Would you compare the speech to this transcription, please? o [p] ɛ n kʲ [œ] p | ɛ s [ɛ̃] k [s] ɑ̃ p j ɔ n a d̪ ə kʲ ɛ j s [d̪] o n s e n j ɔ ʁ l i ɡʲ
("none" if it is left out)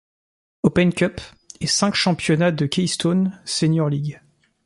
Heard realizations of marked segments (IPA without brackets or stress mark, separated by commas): p, œ, ɛ̃, ʃ, t̪